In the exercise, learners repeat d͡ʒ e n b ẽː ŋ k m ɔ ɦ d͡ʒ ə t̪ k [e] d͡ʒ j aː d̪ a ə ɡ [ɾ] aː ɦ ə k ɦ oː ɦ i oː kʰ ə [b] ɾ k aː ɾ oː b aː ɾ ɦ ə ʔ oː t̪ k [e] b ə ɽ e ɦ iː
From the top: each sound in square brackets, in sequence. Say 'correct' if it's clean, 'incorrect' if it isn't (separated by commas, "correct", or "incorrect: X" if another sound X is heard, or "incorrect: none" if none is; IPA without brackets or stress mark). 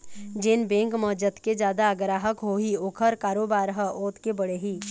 correct, correct, incorrect: none, correct